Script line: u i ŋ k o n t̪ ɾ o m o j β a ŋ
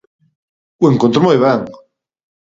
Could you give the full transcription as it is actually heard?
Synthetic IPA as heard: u e ŋ k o n t̪ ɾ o m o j β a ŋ